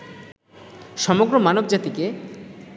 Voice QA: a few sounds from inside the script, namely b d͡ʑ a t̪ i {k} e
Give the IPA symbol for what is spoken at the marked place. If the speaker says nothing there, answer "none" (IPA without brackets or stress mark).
k